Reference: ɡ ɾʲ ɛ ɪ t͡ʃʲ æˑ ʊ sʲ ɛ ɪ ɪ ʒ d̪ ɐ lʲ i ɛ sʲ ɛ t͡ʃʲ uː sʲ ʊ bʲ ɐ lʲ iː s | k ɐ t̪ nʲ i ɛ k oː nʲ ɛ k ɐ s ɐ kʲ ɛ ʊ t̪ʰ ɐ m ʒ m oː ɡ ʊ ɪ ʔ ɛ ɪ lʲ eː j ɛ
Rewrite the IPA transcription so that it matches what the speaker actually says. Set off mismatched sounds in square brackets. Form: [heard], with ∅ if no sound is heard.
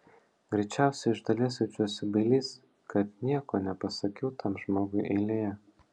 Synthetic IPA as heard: ɡ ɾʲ ɛ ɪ t͡ʃʲ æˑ ʊ sʲ ɛ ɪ ɪ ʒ d̪ ɐ lʲ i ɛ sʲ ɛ t͡ʃʲ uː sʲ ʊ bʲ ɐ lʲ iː s | k ɐ t̪ nʲ i ɛ k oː nʲ ɛ [p] ɐ s ɐ kʲ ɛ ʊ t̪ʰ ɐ m ʒ m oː ɡ ʊ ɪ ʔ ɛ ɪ lʲ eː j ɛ